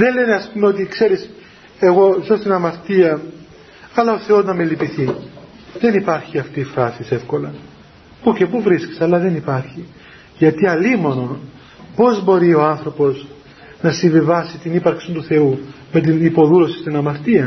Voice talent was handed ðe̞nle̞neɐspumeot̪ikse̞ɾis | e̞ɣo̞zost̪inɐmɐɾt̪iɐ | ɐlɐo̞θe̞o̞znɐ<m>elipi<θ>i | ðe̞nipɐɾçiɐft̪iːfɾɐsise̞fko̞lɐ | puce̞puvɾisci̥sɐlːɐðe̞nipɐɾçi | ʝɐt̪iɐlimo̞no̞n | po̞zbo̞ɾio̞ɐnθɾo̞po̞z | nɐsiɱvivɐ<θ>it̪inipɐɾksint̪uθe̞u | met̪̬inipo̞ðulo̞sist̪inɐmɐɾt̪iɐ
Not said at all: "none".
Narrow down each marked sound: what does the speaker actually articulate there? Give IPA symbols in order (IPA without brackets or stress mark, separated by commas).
m, θ, s